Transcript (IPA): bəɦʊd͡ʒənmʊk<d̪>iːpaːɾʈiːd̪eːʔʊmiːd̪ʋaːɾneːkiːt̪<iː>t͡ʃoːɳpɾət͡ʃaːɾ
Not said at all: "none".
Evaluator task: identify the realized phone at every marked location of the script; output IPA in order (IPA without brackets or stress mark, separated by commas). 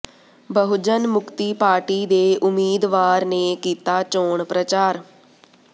t̪, aː